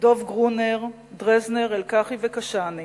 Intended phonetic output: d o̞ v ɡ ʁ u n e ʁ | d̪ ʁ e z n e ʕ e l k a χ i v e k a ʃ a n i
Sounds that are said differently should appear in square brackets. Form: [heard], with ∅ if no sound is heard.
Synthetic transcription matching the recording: d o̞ v ɡ ʁ u n e ʁ | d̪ ʁ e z n e [ʁ] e l k a χ i v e k a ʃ a n i